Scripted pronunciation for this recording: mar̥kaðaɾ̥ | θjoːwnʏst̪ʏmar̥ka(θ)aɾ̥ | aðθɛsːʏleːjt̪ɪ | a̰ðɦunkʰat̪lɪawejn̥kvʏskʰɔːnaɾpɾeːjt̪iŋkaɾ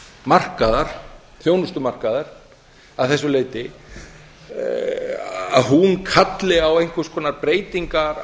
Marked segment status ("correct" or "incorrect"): incorrect